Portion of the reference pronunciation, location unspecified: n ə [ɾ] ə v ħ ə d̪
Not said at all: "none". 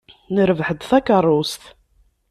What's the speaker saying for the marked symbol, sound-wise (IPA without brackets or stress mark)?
ɾ